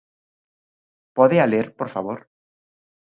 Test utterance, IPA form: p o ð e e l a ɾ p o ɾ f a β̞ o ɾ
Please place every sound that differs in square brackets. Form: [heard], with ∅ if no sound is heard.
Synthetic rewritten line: p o ð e [a] l [e] ɾ p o ɾ f a β̞ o ɾ